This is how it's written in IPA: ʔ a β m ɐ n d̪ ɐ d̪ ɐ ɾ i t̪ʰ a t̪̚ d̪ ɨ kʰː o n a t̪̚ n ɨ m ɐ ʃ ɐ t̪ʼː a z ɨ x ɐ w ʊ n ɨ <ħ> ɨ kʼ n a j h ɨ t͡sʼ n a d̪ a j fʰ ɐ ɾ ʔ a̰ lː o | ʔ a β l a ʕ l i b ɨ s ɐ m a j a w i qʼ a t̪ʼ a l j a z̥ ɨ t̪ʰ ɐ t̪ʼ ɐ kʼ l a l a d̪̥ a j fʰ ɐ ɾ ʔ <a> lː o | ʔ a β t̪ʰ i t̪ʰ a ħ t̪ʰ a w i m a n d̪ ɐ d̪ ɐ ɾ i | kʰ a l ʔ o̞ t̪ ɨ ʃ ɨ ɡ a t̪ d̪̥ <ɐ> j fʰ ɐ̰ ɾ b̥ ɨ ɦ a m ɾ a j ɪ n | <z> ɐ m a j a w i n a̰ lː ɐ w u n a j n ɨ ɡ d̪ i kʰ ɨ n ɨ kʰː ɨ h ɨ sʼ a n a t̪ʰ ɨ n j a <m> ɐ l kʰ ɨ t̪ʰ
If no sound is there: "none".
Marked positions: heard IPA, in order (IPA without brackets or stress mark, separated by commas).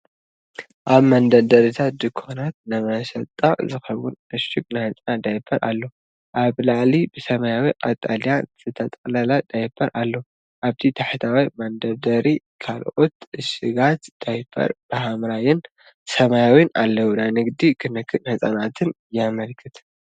ʃ, a, a, s, m